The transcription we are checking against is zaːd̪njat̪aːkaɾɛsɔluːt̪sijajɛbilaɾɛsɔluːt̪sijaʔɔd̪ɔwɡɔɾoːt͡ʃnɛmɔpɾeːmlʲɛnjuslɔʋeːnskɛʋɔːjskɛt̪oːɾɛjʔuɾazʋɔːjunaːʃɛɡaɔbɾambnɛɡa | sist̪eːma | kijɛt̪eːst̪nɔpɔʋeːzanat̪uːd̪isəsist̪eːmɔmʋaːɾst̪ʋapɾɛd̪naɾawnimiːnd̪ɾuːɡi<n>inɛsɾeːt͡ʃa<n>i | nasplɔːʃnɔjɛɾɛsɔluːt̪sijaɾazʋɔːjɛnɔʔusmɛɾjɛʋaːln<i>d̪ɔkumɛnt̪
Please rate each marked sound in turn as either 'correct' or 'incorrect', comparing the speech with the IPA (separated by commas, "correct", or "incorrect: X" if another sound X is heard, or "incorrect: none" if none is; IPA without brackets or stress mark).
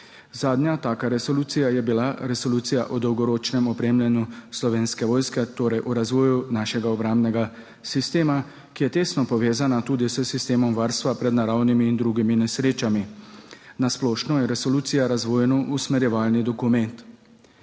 incorrect: m, incorrect: m, correct